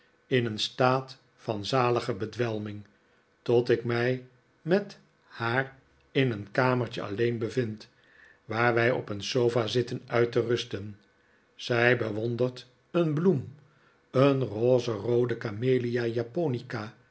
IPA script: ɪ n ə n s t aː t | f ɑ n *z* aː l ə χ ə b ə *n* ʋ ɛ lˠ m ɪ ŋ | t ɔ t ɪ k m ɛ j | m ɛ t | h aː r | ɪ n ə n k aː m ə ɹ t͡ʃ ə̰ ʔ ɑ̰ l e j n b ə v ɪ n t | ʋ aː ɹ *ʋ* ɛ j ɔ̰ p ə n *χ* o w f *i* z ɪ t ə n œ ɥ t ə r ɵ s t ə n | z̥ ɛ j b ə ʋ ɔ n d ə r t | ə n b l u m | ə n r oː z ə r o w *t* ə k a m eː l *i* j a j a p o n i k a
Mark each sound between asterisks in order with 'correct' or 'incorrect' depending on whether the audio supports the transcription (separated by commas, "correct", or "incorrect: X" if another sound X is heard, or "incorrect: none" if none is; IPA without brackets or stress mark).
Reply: correct, incorrect: d, correct, incorrect: s, incorrect: a, incorrect: d, correct